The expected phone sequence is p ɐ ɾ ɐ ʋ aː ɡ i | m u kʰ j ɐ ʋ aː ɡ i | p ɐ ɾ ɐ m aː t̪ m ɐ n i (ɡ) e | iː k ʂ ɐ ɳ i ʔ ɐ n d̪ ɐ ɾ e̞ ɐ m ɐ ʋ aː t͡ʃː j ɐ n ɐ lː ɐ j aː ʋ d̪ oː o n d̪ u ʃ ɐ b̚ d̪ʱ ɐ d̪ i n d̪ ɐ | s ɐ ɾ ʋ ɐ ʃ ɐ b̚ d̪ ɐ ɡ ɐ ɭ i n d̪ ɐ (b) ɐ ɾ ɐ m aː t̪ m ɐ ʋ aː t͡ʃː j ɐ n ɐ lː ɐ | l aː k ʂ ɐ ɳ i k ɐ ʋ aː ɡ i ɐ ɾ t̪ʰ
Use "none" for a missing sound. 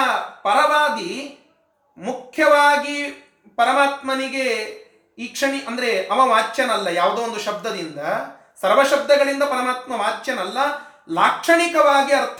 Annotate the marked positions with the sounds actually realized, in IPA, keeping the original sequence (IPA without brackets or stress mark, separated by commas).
ɡ, p